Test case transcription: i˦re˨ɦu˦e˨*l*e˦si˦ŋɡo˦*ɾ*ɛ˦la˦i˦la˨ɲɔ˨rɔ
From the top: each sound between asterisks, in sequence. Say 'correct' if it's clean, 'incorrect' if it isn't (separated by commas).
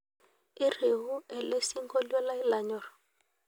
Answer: correct, incorrect